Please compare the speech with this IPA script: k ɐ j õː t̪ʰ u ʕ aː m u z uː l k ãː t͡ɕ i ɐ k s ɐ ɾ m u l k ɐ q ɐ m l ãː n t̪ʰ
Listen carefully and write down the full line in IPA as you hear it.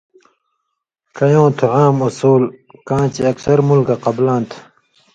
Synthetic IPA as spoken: k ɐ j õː t̪ʰ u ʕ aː m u s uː l k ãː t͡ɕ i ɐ k s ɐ ɾ m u l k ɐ q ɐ b l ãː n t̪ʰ